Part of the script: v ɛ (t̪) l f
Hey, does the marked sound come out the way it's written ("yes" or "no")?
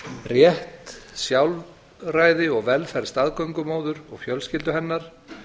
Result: no